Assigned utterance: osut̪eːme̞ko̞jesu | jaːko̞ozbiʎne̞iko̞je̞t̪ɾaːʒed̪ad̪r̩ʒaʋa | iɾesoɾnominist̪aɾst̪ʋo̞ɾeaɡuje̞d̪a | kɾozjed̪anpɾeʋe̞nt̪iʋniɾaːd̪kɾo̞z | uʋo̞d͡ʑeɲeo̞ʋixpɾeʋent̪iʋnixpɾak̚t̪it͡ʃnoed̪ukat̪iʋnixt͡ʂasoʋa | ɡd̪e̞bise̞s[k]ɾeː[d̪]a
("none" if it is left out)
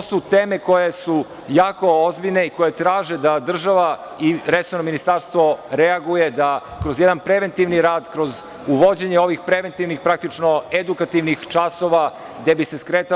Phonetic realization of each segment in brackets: k, t̪

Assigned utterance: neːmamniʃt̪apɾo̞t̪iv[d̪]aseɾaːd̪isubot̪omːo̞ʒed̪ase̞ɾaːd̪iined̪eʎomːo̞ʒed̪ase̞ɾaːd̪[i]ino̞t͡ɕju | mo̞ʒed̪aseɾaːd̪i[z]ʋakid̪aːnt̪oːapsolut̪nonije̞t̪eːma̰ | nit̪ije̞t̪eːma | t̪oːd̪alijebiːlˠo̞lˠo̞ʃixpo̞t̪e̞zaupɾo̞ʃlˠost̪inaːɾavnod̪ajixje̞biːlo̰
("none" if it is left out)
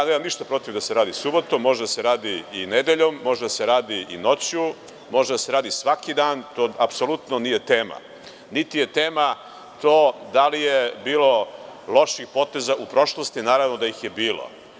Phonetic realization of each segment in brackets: d̪, i, s

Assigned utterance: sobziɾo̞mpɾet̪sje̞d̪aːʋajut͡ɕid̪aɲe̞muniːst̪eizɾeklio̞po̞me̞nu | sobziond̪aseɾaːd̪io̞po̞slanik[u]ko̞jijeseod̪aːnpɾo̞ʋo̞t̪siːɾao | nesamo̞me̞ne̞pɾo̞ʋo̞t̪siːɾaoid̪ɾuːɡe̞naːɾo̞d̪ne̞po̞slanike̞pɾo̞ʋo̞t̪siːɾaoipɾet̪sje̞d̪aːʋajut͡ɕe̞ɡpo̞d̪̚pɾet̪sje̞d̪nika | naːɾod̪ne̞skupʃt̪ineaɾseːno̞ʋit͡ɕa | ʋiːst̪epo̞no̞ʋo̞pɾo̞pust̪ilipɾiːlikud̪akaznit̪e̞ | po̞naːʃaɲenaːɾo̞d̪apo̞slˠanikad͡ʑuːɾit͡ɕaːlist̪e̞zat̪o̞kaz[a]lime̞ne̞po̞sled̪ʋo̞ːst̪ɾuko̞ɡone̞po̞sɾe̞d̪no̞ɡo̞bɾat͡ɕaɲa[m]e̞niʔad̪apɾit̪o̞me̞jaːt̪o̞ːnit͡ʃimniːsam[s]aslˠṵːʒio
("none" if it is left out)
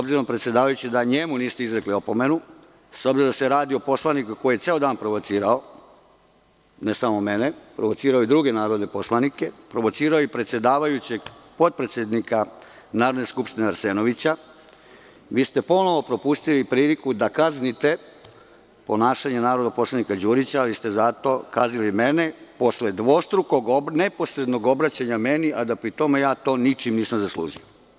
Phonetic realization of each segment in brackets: u, i, m, z

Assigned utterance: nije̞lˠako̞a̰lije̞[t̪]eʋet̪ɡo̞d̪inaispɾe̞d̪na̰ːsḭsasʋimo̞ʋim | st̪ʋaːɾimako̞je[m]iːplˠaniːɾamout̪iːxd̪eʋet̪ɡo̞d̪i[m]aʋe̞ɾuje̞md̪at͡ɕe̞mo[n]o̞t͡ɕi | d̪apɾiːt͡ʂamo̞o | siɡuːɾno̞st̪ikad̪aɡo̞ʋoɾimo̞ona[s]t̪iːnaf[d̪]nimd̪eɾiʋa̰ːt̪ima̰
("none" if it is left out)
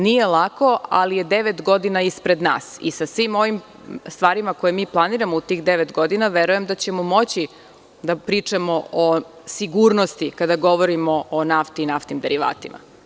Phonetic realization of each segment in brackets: d̪, m, n, m, f, t̪

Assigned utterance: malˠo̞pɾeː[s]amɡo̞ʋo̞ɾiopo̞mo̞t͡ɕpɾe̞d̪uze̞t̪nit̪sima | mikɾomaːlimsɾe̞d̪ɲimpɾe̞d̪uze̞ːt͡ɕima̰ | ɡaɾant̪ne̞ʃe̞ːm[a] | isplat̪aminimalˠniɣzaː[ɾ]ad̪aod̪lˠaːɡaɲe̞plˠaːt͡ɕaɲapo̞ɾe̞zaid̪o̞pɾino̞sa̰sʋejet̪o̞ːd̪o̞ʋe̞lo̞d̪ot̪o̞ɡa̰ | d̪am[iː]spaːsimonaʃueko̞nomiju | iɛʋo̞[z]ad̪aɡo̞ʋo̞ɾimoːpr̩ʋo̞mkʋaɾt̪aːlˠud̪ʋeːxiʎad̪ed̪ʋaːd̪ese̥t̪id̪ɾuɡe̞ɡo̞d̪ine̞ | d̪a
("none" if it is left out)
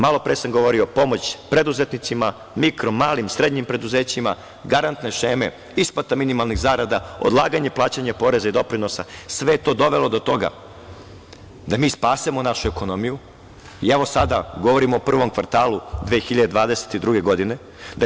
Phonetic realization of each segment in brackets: s, e, ɾ, iː, s

